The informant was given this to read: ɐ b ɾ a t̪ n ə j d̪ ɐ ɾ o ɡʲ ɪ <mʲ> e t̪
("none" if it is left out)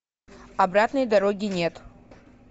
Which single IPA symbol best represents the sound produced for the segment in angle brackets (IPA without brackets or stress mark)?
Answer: nʲ